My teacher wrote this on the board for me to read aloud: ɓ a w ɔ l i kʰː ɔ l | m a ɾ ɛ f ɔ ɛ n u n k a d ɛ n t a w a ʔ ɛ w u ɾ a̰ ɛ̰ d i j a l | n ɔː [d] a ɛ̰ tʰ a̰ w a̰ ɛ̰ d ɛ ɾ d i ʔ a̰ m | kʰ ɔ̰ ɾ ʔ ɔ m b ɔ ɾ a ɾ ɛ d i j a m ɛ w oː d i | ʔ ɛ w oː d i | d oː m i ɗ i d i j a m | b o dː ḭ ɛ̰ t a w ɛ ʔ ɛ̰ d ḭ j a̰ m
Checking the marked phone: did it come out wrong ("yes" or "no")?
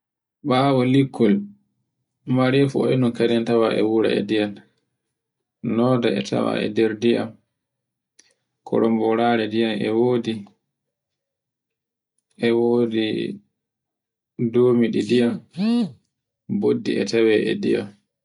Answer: no